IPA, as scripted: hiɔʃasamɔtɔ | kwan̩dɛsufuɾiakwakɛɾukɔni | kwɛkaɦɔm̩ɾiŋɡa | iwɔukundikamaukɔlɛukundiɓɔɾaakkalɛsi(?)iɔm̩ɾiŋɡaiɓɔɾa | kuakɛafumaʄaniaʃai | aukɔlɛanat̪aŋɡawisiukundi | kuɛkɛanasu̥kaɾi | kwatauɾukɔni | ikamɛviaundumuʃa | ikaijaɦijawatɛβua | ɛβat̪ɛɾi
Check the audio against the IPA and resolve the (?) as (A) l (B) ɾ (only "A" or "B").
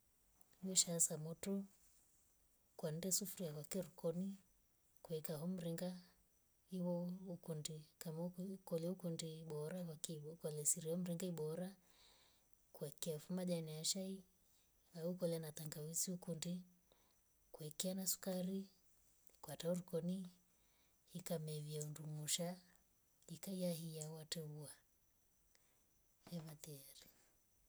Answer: B